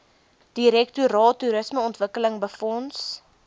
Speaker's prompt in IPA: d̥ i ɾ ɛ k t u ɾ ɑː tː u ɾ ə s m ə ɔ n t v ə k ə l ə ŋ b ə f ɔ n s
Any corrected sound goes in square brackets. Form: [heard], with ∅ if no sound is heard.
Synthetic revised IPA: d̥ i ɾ ɛ k t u ɾ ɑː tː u ɾ ə s m ə ɔ n t v ə k ə l ə ŋ b ə f ɔ n s

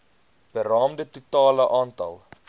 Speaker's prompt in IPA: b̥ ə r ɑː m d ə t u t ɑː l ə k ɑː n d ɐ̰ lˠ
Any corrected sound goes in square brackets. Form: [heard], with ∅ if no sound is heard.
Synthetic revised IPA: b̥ ə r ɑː m d ə t u t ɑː l ə [ʔ] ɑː n [t] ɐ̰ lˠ

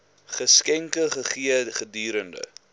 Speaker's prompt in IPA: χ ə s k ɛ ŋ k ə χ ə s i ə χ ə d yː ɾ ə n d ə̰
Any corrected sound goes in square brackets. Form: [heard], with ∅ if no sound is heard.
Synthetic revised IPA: χ ə s k ɛ ŋ k ə χ ə [χ] i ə χ ə d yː ɾ ə n d ə̰

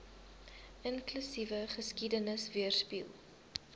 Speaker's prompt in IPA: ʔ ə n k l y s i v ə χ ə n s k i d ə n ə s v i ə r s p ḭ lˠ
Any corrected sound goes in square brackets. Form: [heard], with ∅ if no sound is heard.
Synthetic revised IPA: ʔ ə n k l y s i v ə χ ə [∅] s k i d ə n ə s v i ə r s p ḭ lˠ

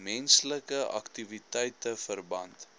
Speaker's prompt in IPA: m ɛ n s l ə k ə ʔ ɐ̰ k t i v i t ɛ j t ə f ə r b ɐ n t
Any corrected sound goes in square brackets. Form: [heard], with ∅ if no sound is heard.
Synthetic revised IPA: m ɛ n s l ə k ə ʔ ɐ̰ k t i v i t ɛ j t ə f ə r b ɐ n t

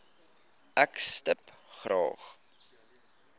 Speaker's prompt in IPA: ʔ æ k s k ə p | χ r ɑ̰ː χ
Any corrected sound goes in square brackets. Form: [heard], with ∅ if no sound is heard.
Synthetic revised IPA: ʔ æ k s [t] ə p | χ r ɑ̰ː χ

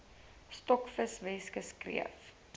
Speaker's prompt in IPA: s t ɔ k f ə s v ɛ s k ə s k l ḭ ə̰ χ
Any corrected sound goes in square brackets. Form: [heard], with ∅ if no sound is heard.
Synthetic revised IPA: s t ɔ k f ə s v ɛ s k ə s k [r] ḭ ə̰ [f]

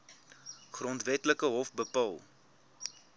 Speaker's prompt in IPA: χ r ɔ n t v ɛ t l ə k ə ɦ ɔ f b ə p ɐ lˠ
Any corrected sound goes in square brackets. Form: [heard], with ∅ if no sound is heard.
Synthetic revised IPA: χ r ɔ n t v ɛ t l ə k ə ɦ ɔ f b ə p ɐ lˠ

